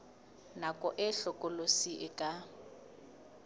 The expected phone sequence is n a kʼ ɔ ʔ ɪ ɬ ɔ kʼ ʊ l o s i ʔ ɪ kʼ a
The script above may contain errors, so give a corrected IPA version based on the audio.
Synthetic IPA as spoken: n a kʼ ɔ ʔ ɪ ɬ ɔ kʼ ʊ l o s i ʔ ɪ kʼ a